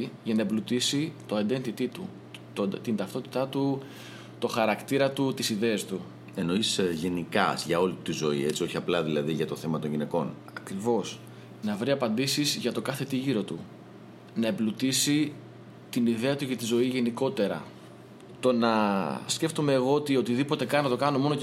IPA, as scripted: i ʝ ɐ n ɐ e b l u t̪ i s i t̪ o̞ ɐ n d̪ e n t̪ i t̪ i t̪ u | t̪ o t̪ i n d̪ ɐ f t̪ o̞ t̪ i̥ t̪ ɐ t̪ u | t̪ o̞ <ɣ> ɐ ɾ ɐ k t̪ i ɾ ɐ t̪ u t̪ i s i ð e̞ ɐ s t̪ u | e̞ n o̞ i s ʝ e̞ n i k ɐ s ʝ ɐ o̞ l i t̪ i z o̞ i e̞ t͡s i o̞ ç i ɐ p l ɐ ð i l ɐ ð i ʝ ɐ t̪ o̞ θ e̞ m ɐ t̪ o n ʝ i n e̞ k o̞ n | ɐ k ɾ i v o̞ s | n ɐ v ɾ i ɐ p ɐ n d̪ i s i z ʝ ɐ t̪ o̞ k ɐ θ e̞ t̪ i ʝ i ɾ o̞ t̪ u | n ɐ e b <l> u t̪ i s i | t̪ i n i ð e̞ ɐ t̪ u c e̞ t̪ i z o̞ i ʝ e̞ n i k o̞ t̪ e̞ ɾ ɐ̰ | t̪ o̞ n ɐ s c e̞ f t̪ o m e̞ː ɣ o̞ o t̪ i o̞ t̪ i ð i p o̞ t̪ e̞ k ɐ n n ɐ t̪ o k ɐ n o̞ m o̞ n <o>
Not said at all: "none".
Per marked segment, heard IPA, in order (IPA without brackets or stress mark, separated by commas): x, l, o